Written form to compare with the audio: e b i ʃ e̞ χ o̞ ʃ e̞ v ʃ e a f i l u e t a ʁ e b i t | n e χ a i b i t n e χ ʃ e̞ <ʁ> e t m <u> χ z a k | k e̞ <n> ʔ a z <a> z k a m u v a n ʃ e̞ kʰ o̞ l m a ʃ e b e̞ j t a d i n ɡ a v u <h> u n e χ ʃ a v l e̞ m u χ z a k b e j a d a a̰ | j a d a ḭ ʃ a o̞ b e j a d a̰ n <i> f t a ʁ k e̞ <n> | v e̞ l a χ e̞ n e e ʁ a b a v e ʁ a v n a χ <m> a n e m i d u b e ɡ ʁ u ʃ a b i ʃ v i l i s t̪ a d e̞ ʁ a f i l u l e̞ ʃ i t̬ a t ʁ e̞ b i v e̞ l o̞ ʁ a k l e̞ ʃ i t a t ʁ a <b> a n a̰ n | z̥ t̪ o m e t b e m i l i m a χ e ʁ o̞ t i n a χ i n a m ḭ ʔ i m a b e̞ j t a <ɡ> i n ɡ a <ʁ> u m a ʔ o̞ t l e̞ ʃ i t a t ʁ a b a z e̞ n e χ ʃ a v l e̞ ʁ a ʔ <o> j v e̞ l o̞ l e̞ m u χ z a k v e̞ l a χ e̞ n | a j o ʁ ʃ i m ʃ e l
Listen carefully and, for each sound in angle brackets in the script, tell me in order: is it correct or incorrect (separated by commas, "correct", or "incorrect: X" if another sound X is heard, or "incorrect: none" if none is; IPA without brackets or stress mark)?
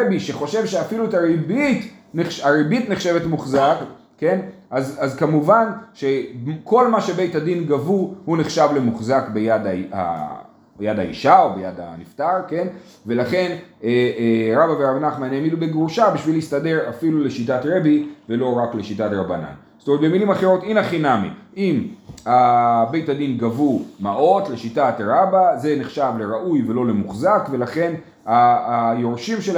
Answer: incorrect: v, correct, correct, correct, correct, correct, correct, correct, correct, incorrect: d, incorrect: v, incorrect: u